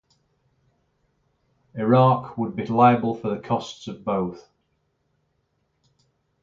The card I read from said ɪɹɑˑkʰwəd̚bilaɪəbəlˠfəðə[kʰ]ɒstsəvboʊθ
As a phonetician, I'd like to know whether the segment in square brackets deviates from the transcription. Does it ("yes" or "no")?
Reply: no